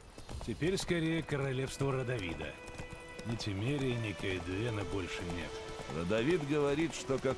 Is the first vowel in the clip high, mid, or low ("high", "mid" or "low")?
high